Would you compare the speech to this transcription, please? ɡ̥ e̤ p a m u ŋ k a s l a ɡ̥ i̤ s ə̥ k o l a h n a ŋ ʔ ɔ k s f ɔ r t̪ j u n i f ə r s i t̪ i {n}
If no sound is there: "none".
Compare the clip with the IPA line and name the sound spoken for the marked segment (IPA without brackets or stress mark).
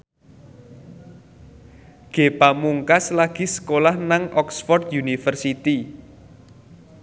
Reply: none